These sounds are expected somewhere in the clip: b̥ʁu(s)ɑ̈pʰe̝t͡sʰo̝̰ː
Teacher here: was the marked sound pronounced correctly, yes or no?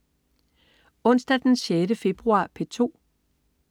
no